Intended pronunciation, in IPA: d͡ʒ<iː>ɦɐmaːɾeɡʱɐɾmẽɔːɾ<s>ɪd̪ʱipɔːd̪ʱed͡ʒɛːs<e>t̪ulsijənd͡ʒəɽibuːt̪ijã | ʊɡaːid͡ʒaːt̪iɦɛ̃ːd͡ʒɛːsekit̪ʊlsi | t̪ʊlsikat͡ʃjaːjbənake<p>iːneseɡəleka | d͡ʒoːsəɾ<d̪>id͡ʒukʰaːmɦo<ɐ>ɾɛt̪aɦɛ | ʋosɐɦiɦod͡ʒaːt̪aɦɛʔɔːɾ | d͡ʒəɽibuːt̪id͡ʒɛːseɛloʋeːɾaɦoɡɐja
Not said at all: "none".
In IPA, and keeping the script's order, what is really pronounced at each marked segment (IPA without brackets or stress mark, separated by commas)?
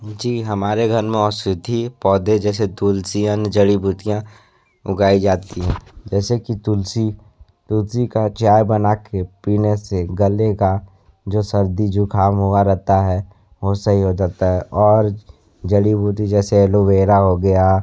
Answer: iː, s, e, p, d̪, a